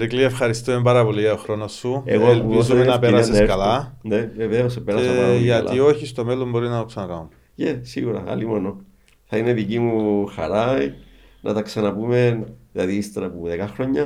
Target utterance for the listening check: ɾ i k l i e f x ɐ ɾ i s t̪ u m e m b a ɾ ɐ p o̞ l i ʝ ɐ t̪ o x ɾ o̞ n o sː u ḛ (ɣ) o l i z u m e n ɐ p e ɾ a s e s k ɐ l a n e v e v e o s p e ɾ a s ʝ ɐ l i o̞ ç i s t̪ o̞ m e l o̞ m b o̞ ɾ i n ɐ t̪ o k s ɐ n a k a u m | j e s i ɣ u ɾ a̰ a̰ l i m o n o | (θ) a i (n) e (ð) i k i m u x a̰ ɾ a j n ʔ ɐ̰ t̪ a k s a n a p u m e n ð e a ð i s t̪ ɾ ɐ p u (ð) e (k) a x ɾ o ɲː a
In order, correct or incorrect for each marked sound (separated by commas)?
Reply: correct, correct, correct, correct, correct, correct